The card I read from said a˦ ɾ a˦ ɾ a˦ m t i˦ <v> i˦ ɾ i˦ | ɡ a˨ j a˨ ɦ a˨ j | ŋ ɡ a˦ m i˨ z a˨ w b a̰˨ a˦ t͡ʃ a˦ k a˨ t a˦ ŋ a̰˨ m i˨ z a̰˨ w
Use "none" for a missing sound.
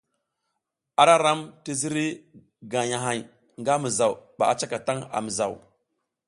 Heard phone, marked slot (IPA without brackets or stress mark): z